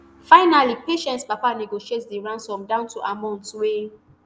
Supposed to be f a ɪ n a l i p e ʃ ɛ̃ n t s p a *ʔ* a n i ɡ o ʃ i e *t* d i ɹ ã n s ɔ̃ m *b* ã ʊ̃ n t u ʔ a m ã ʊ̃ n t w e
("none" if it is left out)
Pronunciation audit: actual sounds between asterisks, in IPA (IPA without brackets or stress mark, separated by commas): p, t, d